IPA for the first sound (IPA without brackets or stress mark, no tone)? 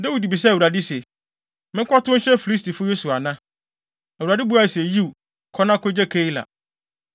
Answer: d